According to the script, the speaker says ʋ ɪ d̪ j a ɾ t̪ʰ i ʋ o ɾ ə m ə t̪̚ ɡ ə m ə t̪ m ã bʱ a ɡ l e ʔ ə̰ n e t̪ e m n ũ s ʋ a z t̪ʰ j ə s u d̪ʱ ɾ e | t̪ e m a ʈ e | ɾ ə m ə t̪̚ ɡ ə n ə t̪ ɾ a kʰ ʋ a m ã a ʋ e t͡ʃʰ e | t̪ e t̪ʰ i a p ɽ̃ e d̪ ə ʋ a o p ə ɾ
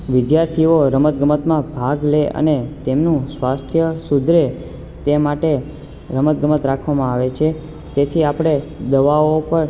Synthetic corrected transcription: ʋ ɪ d̪ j a ɾ t̪ʰ i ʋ o ɾ ə m ə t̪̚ ɡ ə m ə t̪ m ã bʱ a ɡ l e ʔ ə̰ n e t̪ e m n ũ s ʋ a s t̪ʰ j ə s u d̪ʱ ɾ e | t̪ e m a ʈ e | ɾ ə m ə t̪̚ ɡ ə m ə t̪ ɾ a kʰ ʋ a m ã a ʋ e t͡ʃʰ e | t̪ e t̪ʰ i a p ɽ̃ e d̪ ə ʋ a o p ə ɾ